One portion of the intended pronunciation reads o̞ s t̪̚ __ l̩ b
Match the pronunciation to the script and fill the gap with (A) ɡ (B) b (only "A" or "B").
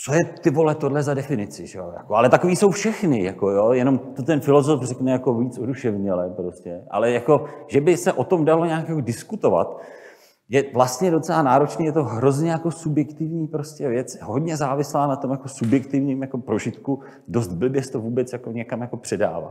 B